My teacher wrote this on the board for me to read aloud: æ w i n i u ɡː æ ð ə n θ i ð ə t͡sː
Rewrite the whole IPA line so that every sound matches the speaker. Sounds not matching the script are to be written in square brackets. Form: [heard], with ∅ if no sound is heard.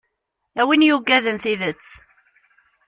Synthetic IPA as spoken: æ w i n [j] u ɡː æ ð ə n θ i ð ə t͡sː